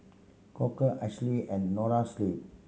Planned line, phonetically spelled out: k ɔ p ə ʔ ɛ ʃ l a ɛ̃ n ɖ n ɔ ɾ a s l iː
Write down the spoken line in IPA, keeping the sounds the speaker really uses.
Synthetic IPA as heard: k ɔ k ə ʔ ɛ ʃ l i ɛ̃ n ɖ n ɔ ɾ a s l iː